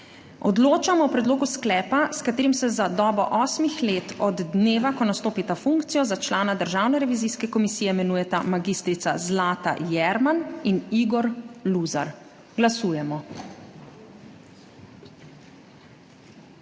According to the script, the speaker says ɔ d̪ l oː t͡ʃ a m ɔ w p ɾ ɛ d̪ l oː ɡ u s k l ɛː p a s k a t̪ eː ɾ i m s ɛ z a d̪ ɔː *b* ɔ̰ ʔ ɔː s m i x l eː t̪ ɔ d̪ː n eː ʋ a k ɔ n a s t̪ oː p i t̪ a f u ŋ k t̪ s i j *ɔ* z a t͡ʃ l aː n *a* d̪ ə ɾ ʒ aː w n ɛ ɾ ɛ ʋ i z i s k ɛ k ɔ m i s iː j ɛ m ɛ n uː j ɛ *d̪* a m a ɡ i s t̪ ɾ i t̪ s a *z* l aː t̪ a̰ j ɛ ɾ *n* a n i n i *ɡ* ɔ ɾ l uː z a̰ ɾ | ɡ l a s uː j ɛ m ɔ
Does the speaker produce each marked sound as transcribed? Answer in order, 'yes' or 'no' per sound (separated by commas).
yes, yes, yes, no, yes, no, yes